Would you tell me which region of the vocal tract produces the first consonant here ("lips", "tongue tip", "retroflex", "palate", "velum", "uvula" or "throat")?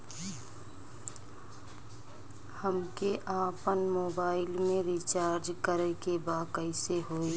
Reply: throat